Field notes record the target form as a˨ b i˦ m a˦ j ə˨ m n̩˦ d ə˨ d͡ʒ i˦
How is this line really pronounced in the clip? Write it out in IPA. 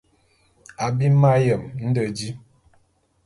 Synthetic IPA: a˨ b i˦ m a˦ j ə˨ m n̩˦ d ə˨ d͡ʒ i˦